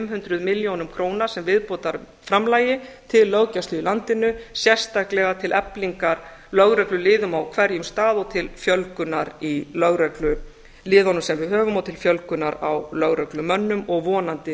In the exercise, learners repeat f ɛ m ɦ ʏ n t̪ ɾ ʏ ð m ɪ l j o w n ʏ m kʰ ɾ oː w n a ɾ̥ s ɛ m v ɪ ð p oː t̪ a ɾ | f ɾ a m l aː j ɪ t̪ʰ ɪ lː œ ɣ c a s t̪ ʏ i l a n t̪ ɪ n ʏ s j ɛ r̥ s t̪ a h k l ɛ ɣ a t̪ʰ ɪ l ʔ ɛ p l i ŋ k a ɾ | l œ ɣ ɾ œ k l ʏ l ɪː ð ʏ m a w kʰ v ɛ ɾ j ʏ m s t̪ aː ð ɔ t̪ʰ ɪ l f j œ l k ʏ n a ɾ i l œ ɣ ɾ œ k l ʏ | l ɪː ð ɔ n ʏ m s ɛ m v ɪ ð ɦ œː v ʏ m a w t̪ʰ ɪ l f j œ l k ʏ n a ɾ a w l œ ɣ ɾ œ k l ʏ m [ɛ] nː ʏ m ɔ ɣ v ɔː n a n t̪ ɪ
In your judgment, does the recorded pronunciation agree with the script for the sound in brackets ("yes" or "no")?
no